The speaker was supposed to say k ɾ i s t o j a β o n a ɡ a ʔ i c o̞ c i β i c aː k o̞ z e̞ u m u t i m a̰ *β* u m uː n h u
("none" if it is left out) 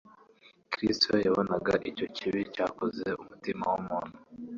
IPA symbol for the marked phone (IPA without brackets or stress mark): w